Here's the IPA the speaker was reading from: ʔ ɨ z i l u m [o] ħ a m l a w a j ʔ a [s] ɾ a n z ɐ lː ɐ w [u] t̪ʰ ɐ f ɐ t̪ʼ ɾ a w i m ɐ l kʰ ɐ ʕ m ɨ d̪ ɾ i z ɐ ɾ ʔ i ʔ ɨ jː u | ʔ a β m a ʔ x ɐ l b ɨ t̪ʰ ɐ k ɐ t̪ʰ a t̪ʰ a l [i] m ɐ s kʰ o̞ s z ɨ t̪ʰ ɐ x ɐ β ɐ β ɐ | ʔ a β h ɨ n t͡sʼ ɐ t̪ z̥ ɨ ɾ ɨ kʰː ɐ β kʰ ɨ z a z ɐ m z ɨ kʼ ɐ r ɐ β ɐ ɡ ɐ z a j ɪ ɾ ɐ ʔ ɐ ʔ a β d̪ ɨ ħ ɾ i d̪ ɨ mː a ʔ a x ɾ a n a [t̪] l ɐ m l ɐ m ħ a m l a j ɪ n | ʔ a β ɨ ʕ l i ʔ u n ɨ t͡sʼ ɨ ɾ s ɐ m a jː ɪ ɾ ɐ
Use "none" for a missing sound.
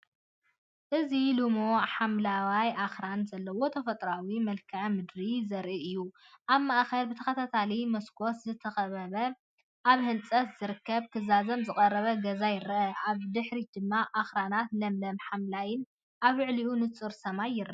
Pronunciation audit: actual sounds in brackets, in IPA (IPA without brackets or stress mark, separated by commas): o, x, o, i, t̪